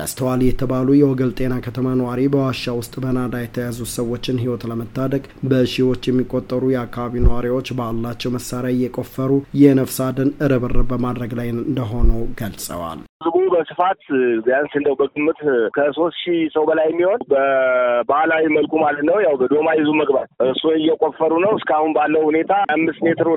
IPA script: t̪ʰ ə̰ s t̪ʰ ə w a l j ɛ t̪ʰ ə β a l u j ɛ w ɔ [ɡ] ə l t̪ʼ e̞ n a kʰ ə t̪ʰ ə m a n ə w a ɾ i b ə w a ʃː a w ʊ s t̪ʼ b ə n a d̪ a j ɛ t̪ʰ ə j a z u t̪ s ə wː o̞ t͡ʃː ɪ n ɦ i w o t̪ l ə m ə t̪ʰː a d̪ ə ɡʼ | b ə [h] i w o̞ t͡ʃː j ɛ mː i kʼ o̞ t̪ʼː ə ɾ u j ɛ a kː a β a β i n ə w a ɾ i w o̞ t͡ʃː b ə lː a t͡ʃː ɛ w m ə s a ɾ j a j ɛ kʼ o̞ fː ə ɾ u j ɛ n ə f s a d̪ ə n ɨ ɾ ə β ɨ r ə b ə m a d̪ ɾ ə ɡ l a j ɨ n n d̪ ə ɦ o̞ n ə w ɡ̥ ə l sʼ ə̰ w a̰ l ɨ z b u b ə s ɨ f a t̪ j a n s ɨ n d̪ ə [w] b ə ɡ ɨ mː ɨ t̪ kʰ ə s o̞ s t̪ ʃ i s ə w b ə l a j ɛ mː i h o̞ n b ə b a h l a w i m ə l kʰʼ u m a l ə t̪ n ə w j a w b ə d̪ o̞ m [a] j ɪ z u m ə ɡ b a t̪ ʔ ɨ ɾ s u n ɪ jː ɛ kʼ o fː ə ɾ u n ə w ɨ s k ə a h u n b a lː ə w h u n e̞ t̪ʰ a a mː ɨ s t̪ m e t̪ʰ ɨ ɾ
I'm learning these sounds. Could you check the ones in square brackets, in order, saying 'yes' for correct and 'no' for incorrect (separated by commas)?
yes, no, yes, yes